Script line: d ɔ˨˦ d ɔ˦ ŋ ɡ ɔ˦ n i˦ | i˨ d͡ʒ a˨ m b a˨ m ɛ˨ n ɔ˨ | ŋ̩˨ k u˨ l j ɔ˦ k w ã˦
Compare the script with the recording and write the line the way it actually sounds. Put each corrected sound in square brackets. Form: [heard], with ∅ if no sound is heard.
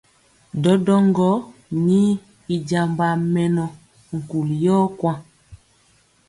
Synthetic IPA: d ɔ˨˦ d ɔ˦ ŋ ɡ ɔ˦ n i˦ | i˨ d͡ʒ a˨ m b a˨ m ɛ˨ n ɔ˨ | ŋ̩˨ k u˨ l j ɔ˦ k w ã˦